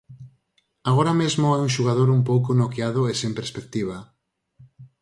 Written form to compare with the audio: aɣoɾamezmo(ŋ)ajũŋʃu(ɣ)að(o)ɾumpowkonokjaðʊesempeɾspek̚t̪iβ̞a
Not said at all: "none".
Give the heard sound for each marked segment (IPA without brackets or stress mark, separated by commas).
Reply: none, ɣ, o